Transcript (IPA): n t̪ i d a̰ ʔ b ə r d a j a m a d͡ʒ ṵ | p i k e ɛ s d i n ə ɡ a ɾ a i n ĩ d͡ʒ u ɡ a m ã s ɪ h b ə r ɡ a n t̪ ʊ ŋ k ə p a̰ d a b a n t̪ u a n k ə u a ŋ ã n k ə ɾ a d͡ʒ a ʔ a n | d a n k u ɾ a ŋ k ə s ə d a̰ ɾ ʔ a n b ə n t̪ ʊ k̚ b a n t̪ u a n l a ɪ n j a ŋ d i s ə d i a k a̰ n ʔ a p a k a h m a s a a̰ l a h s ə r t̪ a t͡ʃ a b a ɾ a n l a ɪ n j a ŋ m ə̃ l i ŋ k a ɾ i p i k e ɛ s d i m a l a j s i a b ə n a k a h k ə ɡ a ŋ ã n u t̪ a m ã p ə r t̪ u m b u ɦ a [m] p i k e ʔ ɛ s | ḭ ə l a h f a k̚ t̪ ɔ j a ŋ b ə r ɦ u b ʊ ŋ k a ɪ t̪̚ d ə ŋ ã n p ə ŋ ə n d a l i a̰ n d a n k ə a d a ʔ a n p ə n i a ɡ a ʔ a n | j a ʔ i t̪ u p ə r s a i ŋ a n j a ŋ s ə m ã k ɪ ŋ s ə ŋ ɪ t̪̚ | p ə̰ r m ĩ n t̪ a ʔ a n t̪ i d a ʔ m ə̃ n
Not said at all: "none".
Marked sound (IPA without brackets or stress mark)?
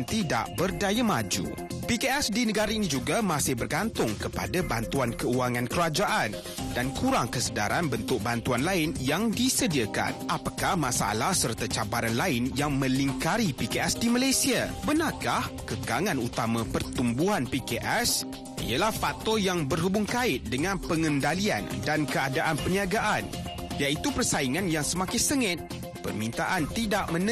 n